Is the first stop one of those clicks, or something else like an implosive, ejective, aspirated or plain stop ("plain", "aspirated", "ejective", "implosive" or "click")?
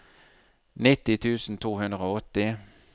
plain